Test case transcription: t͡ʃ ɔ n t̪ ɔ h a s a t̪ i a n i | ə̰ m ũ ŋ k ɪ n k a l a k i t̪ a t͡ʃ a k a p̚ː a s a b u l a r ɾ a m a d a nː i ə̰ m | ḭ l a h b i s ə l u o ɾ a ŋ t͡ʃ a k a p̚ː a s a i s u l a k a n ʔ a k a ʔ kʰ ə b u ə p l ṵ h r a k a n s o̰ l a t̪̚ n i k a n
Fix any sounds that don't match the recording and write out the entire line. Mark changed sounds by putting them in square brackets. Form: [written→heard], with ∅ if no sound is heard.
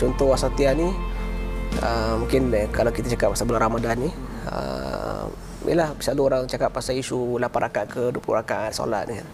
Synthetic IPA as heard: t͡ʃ ɔ n t̪ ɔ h a s a t̪ i a n i | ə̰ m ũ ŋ k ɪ n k a l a k i t̪ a t͡ʃ a k a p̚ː a s a b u l a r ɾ a m a d a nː i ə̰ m | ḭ l a h b i s [ə→a] l u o ɾ a ŋ t͡ʃ a k a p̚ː a s a i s u l a [k→p] a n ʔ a k a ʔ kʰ ə [b→d] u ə p l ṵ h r a k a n s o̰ l a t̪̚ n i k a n